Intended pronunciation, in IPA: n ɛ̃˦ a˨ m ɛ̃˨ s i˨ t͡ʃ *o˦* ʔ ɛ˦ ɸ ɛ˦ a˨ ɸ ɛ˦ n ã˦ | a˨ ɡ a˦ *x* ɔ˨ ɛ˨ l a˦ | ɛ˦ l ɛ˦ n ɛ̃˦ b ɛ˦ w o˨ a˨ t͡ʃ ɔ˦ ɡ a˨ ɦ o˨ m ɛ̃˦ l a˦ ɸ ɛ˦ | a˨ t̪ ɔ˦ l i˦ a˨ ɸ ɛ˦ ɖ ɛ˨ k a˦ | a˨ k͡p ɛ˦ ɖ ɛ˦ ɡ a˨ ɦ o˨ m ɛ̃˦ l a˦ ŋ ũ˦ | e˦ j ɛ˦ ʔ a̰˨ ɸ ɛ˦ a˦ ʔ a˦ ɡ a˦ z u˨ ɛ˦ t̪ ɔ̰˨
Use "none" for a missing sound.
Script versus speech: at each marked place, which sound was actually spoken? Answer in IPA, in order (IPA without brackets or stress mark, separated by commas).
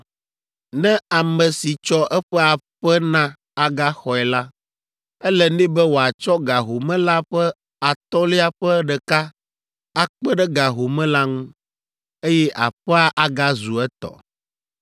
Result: ɔ˦, x